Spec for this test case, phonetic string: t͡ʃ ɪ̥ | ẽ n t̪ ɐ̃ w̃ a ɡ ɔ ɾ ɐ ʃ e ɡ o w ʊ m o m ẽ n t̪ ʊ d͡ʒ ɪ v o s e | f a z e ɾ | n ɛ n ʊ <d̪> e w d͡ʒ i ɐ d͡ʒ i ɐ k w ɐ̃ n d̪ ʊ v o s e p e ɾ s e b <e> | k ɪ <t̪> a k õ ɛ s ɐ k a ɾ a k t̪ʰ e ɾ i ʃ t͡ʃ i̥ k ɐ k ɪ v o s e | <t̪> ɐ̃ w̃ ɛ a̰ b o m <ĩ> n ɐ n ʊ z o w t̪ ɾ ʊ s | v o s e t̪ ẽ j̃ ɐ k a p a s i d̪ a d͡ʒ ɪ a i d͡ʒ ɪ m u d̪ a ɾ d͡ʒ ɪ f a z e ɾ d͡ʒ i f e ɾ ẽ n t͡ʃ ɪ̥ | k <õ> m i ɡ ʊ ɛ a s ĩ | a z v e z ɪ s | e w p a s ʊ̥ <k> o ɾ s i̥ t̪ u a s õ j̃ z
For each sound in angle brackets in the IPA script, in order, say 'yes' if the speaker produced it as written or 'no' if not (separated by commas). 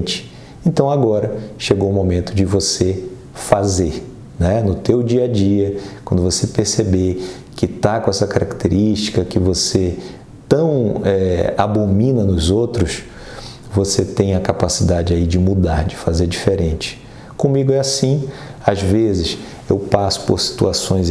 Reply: no, yes, yes, yes, yes, yes, no